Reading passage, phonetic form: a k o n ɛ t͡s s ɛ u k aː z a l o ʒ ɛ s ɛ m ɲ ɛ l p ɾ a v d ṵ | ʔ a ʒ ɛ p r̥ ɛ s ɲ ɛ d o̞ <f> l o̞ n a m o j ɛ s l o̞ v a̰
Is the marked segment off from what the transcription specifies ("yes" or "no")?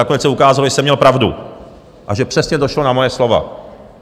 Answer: yes